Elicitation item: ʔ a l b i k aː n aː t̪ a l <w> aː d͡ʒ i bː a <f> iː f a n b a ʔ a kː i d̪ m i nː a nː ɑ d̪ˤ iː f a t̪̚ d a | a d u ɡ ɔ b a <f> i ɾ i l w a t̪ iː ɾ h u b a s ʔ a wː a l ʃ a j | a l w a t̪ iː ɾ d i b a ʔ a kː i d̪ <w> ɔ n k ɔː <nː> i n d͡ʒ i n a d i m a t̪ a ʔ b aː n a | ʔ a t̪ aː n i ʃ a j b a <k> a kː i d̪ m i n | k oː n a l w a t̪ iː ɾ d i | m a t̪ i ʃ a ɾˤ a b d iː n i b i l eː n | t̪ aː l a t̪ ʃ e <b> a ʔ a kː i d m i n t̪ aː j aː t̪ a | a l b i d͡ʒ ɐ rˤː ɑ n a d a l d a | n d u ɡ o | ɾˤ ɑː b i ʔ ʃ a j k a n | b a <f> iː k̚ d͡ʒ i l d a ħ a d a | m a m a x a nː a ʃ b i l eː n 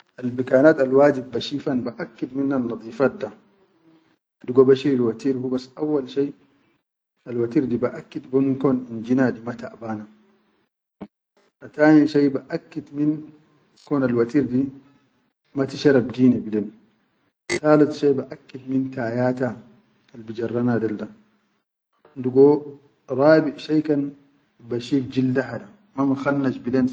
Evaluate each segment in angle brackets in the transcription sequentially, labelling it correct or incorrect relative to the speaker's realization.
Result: correct, incorrect: ʃ, incorrect: ʃ, incorrect: b, incorrect: n, incorrect: ʔ, correct, incorrect: ʃ

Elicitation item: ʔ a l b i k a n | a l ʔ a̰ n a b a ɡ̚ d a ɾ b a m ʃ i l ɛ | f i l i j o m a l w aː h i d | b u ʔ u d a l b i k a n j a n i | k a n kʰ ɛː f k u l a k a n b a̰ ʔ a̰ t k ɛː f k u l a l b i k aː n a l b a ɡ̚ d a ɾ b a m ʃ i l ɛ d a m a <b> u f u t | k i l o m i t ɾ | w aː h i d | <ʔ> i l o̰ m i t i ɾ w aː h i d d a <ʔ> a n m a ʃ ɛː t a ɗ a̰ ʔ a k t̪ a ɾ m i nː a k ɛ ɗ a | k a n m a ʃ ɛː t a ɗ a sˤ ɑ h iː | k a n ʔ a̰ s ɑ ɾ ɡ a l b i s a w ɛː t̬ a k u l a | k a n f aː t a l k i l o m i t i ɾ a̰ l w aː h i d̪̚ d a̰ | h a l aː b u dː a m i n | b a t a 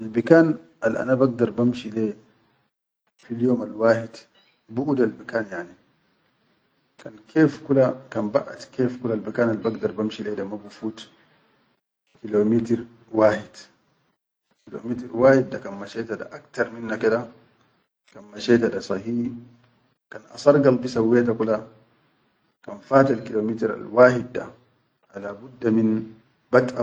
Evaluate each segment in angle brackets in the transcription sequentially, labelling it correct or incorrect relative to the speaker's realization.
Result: correct, incorrect: k, incorrect: k

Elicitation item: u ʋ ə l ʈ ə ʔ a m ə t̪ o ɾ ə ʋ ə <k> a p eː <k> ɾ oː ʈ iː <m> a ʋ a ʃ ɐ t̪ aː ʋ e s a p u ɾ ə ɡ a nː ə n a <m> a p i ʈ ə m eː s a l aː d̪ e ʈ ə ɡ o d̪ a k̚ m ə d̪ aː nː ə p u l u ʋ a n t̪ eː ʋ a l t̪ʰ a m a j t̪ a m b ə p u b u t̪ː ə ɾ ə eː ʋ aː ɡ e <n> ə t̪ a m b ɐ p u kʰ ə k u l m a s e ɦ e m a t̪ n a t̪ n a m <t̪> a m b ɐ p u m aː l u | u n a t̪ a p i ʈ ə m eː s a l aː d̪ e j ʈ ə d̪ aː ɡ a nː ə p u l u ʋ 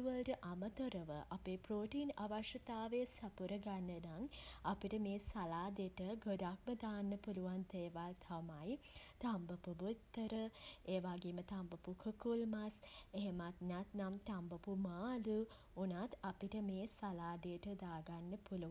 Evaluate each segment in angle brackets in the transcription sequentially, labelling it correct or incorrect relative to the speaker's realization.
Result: incorrect: ʔ, incorrect: p, incorrect: n, incorrect: ŋ, incorrect: m, correct

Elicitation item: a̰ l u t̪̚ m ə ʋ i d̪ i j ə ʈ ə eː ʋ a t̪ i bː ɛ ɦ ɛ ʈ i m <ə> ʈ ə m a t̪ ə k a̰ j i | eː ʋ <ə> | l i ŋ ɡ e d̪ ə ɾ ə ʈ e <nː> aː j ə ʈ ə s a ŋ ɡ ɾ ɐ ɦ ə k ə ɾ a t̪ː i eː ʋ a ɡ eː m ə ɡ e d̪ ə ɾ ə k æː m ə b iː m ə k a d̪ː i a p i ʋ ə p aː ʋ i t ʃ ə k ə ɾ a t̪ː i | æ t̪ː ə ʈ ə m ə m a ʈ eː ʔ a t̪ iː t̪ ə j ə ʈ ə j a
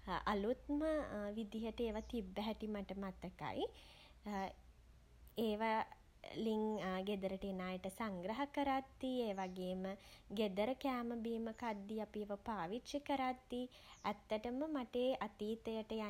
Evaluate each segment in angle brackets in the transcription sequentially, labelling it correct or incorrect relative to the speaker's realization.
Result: incorrect: a, incorrect: a, incorrect: n

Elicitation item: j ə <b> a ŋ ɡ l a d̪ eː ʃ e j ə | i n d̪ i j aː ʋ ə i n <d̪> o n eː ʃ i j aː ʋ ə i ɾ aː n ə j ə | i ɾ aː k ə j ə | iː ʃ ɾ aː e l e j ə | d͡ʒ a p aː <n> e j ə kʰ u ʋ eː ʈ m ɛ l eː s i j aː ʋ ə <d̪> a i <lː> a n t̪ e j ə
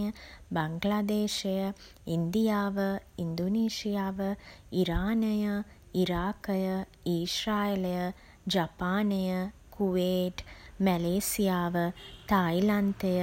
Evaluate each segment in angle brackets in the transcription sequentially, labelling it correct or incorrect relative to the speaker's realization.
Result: correct, correct, correct, incorrect: t̪, incorrect: l

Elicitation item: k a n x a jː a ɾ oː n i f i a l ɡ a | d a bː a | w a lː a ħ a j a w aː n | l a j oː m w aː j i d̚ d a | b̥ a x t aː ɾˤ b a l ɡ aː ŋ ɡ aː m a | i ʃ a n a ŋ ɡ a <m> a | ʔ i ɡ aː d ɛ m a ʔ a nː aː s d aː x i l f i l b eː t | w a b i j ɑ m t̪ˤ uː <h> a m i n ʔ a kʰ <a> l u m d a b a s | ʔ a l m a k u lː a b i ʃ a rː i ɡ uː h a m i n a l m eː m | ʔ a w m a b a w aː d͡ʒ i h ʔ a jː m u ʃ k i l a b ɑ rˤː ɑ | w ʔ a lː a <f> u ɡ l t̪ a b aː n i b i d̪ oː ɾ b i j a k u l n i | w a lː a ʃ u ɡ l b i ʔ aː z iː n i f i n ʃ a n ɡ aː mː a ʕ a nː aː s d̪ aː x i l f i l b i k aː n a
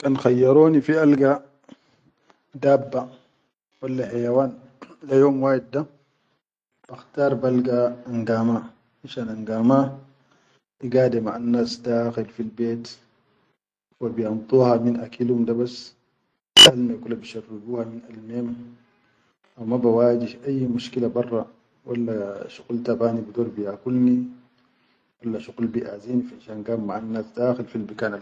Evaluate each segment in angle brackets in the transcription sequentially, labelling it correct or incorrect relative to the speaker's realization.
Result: correct, correct, incorrect: i, incorrect: ʃ

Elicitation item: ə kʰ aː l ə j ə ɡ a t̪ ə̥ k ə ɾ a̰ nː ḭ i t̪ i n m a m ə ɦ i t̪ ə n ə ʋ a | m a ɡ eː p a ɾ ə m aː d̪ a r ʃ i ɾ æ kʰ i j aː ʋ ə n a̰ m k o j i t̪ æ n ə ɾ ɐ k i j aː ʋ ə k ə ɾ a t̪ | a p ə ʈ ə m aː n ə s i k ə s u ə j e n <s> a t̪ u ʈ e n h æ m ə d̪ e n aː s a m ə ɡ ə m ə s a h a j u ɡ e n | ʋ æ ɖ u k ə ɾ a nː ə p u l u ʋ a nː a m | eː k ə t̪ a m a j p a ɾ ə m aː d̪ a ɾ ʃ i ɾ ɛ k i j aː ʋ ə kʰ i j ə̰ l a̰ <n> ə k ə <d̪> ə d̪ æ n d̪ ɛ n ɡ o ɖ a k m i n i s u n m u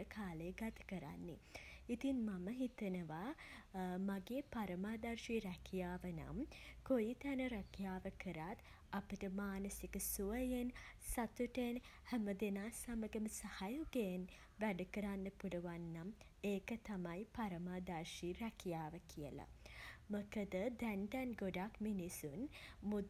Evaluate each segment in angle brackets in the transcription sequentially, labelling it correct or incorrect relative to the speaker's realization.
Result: correct, incorrect: m, correct

